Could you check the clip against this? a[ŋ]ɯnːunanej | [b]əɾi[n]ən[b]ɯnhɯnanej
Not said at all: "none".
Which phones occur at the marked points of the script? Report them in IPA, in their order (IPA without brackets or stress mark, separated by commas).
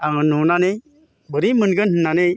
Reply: ŋ, b, m, ɡ